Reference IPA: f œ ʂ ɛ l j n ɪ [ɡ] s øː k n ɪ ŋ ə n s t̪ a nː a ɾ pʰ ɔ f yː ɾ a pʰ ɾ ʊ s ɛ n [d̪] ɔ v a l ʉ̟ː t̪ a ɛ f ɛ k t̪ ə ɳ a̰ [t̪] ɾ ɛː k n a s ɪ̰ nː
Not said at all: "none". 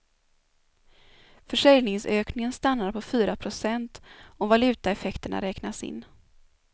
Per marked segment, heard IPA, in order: ŋ, t̪, none

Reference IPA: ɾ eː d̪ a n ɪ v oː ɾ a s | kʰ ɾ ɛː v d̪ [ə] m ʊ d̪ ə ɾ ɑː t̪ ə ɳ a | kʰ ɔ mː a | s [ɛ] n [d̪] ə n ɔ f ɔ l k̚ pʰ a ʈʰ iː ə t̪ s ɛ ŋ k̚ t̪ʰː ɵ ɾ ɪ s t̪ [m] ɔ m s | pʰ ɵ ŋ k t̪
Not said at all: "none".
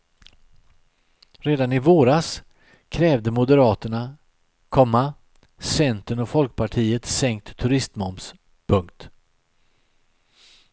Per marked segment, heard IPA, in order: ə, ɛ, t̪, m

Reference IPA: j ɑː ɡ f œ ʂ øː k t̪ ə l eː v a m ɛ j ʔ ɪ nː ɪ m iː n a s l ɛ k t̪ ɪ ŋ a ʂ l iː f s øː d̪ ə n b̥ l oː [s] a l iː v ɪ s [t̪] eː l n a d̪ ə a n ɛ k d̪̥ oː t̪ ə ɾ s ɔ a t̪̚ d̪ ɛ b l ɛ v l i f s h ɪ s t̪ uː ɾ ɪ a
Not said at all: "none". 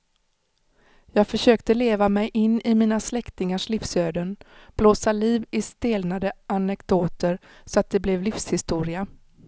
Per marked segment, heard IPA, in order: s, t̪

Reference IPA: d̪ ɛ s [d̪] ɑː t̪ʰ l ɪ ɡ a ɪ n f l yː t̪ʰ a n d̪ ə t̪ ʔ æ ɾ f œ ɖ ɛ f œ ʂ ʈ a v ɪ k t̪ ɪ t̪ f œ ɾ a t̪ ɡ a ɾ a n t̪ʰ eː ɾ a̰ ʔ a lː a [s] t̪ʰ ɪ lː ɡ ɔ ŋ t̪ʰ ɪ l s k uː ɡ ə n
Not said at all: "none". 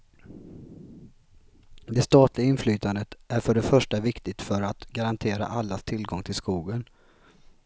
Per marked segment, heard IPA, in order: t̪, s

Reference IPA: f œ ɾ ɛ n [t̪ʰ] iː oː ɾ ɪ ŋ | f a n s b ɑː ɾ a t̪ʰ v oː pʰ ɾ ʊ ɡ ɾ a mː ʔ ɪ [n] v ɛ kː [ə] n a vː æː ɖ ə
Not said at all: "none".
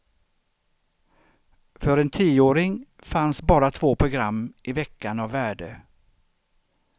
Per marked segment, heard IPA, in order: t̪ʰ, none, a

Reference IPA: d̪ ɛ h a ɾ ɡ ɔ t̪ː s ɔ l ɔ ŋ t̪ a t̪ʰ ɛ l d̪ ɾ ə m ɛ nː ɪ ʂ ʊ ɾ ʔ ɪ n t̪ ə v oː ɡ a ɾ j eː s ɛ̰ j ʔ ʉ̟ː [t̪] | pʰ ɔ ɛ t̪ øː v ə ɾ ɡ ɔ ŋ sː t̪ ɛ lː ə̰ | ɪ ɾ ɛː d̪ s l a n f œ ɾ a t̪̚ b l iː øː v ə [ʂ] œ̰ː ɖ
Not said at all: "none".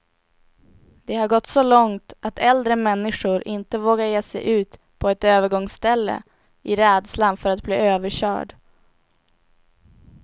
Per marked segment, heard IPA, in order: t̪, ɕ

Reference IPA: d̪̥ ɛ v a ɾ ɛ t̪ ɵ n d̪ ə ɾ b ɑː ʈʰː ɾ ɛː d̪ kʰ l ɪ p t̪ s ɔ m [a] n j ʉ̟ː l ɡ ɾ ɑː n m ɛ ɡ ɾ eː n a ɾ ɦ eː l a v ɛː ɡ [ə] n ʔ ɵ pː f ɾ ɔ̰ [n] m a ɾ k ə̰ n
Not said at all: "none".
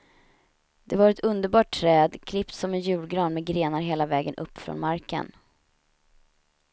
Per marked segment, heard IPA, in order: ɛ, ə, n

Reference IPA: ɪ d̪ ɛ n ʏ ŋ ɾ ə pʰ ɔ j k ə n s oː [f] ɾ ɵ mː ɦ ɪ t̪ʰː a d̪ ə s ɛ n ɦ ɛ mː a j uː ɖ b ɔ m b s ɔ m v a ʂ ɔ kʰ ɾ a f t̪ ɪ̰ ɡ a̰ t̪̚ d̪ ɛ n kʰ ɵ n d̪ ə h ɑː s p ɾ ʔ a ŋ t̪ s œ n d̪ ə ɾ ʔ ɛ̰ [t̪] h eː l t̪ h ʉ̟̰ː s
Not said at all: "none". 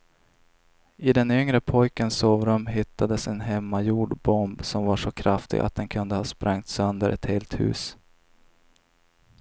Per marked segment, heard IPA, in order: v, t̪

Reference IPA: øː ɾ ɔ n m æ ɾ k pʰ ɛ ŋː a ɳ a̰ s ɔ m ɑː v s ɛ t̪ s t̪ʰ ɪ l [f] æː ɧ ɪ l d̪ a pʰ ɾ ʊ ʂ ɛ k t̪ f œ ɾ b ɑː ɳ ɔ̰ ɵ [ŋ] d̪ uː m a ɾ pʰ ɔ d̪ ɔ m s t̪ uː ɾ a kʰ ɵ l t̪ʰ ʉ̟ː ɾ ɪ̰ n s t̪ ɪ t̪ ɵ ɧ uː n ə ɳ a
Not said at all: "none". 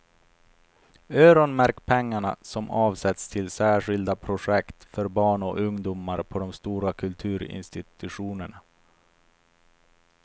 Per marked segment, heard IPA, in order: s, ŋ

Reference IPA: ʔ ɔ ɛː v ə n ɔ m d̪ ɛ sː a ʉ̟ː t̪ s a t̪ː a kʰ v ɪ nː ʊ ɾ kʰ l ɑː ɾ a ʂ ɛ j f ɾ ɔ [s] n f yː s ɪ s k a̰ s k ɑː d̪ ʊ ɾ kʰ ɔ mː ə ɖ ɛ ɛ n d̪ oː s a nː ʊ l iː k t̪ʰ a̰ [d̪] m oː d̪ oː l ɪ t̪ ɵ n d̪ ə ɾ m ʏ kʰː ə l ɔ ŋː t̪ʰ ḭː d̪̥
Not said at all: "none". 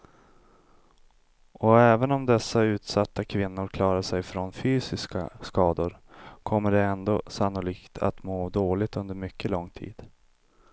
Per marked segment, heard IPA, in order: none, t̪

